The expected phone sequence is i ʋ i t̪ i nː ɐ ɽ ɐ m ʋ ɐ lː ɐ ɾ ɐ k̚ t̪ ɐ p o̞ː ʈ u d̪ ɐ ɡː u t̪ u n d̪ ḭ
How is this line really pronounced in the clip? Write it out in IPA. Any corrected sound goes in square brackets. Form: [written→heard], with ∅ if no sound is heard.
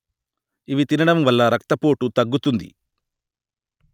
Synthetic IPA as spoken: i ʋ i t̪ i [nː→n] ɐ ɽ ɐ m ʋ ɐ lː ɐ ɾ ɐ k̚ t̪ ɐ p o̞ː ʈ u [d̪→t̪] ɐ ɡː u t̪ u n d̪ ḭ